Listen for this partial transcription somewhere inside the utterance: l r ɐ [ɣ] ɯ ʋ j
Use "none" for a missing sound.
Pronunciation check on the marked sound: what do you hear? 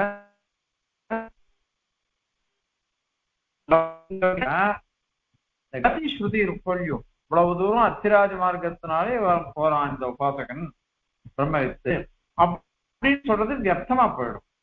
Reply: ð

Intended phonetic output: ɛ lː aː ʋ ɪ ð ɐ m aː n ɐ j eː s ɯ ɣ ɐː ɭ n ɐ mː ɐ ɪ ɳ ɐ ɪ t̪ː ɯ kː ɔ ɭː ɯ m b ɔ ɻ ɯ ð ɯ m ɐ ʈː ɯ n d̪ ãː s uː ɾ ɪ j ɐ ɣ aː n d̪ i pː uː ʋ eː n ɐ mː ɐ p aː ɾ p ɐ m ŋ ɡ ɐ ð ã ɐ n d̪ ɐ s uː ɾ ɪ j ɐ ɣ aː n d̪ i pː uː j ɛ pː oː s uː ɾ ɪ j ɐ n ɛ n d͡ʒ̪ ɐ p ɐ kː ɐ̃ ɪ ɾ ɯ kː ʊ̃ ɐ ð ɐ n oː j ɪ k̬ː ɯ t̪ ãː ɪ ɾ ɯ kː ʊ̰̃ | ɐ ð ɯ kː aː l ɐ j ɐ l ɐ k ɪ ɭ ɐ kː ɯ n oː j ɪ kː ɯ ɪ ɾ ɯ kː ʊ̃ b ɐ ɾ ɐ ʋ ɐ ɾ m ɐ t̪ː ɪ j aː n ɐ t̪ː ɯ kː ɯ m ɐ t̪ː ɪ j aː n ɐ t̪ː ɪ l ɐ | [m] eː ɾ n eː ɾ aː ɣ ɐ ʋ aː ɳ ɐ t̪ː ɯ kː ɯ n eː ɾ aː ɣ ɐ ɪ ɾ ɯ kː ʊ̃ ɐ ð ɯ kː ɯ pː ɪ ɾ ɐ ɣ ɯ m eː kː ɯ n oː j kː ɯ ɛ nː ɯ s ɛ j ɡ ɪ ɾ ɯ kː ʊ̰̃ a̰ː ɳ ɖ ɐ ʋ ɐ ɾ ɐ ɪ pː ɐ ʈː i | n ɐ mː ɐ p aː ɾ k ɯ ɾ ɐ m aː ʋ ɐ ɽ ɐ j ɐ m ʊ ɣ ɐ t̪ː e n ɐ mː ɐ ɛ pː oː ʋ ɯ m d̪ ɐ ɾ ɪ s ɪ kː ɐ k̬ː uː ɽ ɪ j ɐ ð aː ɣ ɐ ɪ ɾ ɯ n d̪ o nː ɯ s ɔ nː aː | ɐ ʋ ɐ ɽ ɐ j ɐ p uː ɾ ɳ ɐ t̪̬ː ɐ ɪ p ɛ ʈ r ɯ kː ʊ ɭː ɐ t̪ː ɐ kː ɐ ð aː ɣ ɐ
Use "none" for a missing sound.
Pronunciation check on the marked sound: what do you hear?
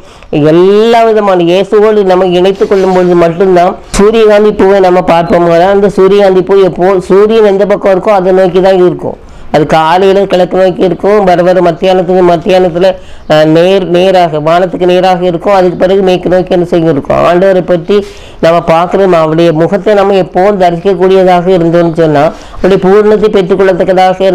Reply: n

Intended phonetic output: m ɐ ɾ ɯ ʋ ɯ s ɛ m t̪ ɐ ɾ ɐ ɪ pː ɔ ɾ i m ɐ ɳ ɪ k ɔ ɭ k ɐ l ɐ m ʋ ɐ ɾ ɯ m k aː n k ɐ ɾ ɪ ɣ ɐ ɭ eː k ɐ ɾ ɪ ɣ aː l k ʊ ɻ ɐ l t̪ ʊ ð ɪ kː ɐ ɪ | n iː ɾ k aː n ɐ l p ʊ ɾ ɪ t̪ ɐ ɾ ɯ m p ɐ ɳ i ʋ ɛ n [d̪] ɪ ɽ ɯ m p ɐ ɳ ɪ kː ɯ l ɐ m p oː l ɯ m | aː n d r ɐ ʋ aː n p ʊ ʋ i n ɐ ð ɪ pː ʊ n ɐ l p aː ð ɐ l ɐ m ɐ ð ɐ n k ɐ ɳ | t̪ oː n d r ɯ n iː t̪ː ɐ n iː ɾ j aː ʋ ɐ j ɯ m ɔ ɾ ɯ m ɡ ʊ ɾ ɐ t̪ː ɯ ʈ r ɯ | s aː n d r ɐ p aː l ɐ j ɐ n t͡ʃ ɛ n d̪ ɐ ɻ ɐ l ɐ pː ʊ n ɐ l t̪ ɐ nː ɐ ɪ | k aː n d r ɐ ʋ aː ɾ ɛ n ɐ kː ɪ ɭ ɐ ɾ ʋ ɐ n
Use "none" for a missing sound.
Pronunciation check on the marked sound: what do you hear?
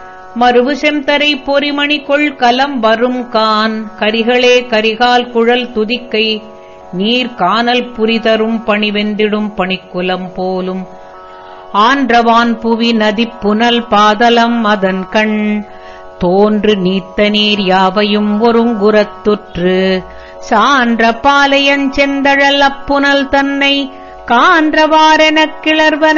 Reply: d̪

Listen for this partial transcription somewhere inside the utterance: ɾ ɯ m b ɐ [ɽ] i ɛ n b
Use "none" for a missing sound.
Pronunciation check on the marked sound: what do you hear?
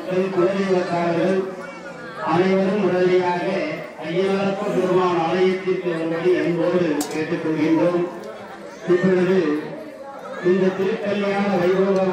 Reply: ɽ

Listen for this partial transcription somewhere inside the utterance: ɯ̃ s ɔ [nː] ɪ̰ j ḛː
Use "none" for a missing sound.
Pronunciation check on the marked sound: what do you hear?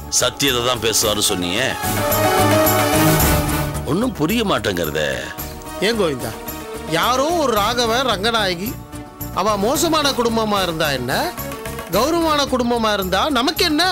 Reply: nː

